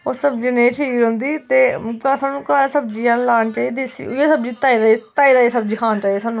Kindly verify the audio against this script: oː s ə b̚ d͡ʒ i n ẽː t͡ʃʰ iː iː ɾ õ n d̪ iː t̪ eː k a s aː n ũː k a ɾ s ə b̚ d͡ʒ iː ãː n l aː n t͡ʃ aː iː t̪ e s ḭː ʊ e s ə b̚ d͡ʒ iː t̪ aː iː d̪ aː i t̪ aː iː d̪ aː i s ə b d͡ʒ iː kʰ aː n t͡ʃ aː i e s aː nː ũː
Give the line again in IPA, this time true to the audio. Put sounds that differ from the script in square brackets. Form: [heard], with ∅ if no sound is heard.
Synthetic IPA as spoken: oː s ə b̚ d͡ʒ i n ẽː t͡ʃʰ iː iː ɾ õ n d̪ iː t̪ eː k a s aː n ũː k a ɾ s ə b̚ d͡ʒ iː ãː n l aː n t͡ʃ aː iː [d̪] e s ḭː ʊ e s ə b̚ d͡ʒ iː t̪ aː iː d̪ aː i t̪ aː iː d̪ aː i s ə b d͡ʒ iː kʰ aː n t͡ʃ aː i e s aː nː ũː